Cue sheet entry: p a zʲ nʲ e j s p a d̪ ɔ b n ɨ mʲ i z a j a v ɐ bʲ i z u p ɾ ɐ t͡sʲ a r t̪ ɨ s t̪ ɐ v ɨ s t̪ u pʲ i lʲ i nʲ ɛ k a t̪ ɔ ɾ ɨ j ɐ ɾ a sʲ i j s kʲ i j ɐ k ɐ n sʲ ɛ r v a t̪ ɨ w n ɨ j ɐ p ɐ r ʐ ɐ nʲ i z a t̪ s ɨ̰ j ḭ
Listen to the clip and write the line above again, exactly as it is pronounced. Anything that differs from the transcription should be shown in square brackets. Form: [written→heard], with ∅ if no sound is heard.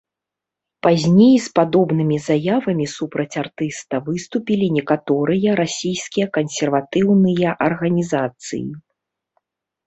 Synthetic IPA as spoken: p a zʲ nʲ e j s p a d̪ ɔ b n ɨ mʲ i z a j a v ɐ [bʲ→mʲ] i [z→s] u p ɾ ɐ t͡sʲ a r t̪ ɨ s t̪ ɐ v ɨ s t̪ u pʲ i lʲ i nʲ ɛ k a t̪ ɔ ɾ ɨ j ɐ ɾ a sʲ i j s kʲ i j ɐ k ɐ n sʲ ɛ r v a t̪ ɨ w n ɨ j ɐ [p→ʔ] ɐ r [ʐ→ɣ] ɐ nʲ i z a t̪ s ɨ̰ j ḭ